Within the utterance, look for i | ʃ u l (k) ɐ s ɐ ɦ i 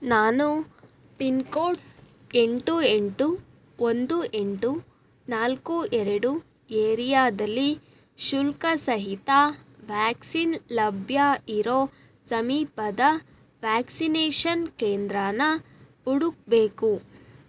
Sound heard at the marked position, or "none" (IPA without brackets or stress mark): k